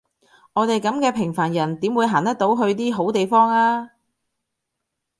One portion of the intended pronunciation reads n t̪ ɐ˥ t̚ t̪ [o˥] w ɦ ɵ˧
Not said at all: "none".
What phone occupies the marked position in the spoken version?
o˨˥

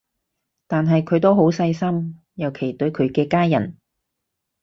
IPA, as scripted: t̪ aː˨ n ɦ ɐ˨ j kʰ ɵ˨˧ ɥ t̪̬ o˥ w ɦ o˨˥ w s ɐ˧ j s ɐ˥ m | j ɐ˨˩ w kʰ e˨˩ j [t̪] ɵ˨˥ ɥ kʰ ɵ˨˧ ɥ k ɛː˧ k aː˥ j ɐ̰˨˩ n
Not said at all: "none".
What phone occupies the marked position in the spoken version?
t̪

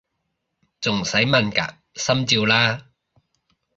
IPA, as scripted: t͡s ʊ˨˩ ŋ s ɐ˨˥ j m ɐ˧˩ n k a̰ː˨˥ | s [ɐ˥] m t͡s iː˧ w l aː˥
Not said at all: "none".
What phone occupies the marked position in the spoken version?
ɐ˥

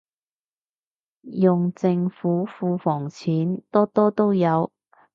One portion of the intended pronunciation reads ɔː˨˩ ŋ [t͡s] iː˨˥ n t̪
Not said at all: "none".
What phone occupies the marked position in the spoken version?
t͡sʰ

